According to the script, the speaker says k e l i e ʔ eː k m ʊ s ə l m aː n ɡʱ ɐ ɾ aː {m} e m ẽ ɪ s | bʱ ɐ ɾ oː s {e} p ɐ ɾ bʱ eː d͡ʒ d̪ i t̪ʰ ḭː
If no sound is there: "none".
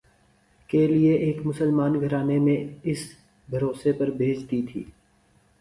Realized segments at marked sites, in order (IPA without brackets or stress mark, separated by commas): n, e